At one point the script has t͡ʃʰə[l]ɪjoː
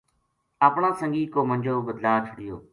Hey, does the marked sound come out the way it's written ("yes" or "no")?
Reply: no